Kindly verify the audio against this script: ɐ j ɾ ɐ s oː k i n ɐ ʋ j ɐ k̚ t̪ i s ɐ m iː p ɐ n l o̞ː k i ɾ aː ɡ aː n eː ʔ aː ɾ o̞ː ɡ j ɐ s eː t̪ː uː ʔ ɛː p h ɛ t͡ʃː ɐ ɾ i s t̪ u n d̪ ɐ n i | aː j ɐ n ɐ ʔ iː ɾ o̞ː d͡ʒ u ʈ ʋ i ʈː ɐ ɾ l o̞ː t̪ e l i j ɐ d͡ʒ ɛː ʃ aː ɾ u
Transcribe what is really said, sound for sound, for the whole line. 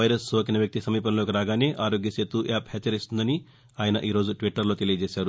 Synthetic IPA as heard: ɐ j ɾ ɐ s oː k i n ɐ ʋ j ɐ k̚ t̪ i s ɐ m iː p ɐ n l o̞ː k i ɾ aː ɡ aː n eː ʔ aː ɾ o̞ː ɡ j ɐ s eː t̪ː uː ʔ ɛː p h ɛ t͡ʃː ɐ ɾ i s t̪ u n d̪ ɐ n i | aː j ɐ n ɐ ʔ iː ɾ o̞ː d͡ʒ u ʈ ʋ i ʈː ɐ ɾ l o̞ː t̪ e l i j ɐ d͡ʒ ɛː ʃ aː ɾ u